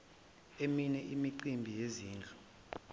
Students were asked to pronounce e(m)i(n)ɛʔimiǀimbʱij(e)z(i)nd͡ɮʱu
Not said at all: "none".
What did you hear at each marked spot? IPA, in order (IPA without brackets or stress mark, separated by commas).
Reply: m, n, e, iː